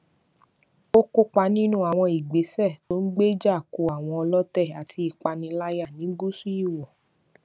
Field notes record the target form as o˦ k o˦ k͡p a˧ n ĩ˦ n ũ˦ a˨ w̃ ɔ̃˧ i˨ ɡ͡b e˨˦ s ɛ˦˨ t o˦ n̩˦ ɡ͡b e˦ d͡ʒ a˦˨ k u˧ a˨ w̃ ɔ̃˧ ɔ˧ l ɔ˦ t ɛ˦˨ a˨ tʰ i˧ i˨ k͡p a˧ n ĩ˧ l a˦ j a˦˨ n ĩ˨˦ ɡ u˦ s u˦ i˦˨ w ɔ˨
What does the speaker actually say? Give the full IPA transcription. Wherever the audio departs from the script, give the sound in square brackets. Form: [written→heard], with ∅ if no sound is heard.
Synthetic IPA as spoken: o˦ k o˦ k͡p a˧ n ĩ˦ n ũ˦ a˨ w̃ ɔ̃˧ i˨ ɡ͡b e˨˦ s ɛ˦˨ t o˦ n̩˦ ɡ͡b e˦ d͡ʒ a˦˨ k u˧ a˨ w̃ ɔ̃˧ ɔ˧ l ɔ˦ t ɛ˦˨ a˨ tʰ i˧ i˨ k͡p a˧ n ĩ˧ l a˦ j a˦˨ n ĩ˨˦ ɡ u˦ s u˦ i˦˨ w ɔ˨